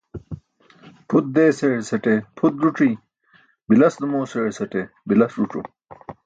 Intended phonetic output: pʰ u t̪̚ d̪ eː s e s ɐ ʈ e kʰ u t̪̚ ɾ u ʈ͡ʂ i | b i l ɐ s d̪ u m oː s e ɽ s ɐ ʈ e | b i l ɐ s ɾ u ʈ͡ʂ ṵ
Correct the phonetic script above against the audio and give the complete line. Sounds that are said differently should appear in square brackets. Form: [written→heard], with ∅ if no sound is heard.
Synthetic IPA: pʰ u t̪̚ d̪ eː s e s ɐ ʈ e [kʰ→pʰ] u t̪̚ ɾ u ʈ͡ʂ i | b i l ɐ s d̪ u m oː s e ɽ s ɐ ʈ e | b i l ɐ s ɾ u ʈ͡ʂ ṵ